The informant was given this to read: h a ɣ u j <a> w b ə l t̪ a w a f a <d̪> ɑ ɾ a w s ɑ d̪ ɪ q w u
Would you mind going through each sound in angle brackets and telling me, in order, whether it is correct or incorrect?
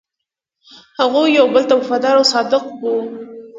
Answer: correct, correct

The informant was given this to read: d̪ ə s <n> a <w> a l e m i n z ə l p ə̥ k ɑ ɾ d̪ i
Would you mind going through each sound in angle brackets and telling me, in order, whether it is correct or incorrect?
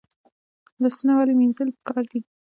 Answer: correct, correct

